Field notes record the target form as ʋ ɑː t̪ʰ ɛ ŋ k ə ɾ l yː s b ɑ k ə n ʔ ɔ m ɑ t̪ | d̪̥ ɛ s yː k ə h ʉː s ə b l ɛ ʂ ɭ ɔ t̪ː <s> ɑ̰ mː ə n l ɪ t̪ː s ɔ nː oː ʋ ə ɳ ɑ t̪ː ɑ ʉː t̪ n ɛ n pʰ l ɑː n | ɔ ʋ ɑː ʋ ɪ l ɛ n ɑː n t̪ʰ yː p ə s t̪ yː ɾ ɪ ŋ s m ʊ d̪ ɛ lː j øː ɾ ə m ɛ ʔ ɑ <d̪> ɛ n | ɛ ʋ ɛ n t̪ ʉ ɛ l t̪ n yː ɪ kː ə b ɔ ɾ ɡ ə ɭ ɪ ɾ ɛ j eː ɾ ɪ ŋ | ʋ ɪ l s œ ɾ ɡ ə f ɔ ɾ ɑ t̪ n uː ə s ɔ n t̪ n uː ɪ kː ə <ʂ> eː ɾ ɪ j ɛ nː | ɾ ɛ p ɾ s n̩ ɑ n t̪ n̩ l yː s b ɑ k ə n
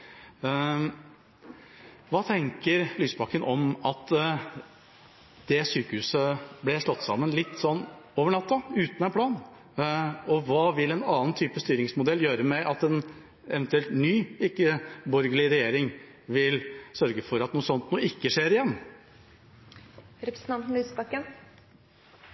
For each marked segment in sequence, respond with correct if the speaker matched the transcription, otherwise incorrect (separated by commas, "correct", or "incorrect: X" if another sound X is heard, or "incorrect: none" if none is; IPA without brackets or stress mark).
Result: correct, incorrect: t̪, correct